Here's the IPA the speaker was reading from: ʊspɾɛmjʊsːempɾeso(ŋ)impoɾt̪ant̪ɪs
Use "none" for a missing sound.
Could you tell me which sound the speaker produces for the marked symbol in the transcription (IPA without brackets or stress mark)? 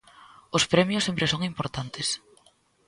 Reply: ŋ